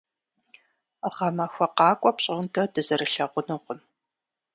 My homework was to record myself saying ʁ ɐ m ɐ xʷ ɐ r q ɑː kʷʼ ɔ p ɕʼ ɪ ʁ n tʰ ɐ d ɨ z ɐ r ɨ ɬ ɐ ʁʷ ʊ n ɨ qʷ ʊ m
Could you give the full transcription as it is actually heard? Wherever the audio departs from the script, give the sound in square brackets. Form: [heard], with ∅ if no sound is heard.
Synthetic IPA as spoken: ʁ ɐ m ɐ xʷ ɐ [∅] q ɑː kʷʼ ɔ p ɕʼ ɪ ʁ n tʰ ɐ d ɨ z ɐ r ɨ ɬ ɐ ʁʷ ʊ n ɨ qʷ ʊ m